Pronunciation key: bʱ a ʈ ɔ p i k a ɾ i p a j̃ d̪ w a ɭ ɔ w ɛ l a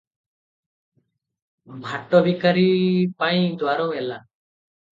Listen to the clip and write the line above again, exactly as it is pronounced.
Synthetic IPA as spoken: bʱ a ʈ ɔ b i k a ɾ i p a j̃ d̪ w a ɾ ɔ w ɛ l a